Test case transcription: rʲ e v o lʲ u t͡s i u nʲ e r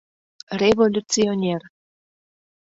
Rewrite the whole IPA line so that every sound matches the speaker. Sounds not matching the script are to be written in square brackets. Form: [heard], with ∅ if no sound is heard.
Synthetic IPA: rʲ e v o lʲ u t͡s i [o] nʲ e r